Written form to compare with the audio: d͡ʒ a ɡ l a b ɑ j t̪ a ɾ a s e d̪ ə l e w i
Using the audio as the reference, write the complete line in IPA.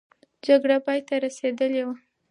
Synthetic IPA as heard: d͡ʒ a ɡ ɽ a p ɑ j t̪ a ɾ a s e d̪ ə l e w a